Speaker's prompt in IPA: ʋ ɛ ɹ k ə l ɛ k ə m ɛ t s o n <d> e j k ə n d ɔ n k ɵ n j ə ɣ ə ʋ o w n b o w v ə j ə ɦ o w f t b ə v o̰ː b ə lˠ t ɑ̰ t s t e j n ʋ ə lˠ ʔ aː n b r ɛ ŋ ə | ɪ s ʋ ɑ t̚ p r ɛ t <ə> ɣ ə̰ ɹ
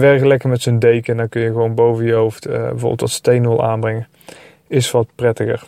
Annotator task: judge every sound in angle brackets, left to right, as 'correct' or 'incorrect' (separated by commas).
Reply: correct, correct